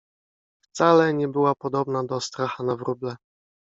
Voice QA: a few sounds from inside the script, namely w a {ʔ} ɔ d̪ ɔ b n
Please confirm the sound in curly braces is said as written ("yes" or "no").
no